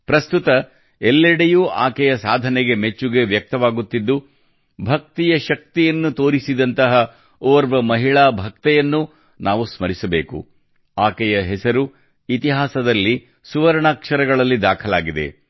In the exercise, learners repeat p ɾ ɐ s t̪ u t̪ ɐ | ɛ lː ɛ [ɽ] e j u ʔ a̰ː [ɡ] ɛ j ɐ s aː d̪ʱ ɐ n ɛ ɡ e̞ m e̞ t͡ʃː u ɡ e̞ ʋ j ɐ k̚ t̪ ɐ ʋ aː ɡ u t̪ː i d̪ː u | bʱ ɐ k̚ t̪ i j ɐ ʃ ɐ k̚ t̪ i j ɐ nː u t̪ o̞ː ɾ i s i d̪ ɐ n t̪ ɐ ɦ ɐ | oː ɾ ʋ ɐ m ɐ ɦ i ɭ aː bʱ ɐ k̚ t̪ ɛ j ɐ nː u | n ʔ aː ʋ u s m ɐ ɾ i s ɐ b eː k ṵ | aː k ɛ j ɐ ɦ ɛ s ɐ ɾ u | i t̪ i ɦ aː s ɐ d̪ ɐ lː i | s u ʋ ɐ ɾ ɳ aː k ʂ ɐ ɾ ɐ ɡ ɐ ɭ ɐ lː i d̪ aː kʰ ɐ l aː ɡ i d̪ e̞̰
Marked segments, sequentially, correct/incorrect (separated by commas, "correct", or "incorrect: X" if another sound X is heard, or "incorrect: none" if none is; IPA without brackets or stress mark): correct, incorrect: k